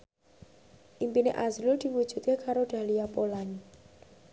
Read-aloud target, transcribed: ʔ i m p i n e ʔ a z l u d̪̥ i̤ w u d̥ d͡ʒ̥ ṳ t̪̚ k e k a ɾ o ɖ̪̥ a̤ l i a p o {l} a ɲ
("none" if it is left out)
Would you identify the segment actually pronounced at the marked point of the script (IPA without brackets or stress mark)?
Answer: l